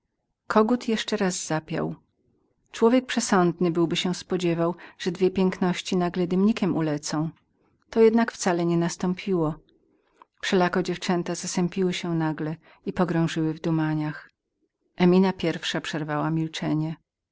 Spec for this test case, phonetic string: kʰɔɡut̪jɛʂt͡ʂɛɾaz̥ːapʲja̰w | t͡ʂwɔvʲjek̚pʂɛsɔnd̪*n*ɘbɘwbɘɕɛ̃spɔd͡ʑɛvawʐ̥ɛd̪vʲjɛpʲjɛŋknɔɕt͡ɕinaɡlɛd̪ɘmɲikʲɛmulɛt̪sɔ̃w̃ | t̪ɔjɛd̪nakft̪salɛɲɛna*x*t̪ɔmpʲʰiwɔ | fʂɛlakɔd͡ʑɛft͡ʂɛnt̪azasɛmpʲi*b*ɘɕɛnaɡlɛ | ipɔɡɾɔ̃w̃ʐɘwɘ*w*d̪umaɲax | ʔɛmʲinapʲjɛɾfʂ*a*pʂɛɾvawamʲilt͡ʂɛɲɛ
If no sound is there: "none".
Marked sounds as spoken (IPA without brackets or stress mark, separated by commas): n, s, w, v, a